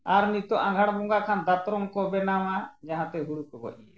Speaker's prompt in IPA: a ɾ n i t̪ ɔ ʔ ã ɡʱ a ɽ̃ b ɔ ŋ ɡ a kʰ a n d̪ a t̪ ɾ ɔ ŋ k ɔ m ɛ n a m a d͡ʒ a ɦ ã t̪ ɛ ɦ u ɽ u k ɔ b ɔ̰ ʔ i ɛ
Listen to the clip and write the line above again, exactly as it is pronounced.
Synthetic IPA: a ɾ n i t̪ ɔ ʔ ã ɡʱ a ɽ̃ b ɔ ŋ ɡ a kʰ a n d̪ a t̪ ɾ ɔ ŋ k ɔ b ɛ n a m a d͡ʒ a ɦ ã t̪ ɛ ɦ u ɽ u k ɔ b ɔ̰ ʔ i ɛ